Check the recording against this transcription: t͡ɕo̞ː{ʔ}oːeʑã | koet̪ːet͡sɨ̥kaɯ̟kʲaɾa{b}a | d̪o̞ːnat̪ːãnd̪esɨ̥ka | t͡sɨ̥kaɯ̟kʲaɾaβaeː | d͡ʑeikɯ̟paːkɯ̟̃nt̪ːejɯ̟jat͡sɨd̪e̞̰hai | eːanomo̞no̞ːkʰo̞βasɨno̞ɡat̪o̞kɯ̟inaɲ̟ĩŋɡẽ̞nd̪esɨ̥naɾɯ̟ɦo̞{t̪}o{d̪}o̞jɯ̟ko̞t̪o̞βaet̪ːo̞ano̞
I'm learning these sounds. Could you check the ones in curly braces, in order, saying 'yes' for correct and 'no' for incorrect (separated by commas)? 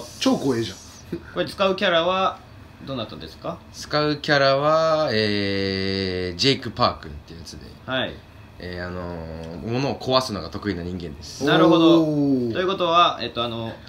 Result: no, no, no, no